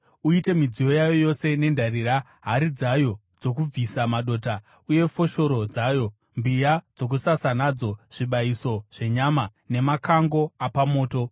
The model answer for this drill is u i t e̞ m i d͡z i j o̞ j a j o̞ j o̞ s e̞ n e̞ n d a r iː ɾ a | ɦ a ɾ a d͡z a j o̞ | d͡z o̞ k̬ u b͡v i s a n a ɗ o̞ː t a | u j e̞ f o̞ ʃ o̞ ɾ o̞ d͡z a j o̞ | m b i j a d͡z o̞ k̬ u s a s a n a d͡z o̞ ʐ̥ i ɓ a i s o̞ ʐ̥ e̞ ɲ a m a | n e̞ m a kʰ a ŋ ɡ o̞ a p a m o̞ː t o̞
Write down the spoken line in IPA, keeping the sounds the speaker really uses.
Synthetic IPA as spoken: u i t e̞ m i d͡z i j o̞ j a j o̞ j o̞ s e̞ n e̞ n d a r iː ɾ a | ɦ a ɾ i d͡z a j o̞ | d͡z o̞ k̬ u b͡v i s a m a ɗ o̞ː t a | u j e̞ f o̞ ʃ o̞ ɾ o̞ d͡z a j o̞ | m b i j a d͡z o̞ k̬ u s a s a n a d͡z o̞ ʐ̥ i ɓ a i s o̞ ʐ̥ e̞ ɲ a m a | n e̞ m a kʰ a ŋ ɡ o̞ a p a m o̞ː t o̞